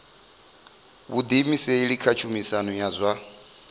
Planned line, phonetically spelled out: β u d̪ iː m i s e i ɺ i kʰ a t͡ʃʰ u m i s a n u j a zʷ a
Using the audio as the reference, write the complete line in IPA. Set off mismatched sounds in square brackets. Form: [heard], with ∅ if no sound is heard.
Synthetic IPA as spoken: β u d̪ [i] m i s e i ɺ i kʰ a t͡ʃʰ u m i s a n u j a zʷ a

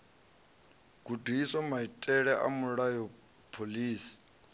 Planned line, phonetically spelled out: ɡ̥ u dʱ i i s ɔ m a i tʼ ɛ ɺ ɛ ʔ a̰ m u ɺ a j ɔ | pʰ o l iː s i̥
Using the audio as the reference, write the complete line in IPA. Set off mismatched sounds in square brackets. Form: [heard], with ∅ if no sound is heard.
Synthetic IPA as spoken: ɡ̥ u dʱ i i s ɔ m a i tʼ ɛ ɺ ɛ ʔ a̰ m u ɺ a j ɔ | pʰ o l iː s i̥

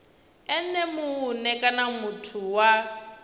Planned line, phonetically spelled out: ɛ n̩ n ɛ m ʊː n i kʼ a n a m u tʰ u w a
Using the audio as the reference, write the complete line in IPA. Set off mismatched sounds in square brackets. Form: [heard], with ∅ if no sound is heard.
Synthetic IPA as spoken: ɛ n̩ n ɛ m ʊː n [ɛ] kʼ a n a m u tʰ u w a

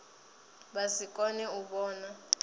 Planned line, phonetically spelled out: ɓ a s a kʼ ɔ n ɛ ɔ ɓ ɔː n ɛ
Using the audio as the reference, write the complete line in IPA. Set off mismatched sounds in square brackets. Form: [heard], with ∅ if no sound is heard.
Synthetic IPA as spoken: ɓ a s [i] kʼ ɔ n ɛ [u] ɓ ɔː n [a]

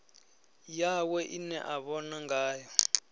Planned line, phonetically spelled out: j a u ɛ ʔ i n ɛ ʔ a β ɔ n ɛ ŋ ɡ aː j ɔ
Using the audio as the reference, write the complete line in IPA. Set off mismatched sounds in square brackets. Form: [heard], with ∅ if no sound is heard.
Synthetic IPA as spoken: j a [w] ɛ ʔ i n ɛ ʔ a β ɔ n [a] ŋ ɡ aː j ɔ

